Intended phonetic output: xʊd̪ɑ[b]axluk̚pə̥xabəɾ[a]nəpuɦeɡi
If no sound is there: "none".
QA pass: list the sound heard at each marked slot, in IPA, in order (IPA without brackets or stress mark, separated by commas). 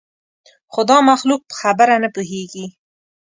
m, a